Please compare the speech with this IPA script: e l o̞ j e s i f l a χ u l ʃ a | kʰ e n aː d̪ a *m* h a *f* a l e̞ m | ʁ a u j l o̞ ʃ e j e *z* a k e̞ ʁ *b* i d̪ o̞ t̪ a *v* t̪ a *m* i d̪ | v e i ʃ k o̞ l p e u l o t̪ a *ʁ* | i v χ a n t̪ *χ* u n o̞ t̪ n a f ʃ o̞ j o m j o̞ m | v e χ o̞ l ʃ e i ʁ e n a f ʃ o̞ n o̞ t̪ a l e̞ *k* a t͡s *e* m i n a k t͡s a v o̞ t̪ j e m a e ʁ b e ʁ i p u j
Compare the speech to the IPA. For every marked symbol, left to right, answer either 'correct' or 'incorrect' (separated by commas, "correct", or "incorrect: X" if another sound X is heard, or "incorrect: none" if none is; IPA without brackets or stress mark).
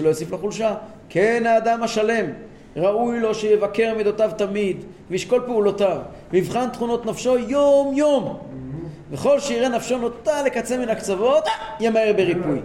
correct, incorrect: ʃ, incorrect: v, incorrect: m, correct, correct, incorrect: v, correct, correct, correct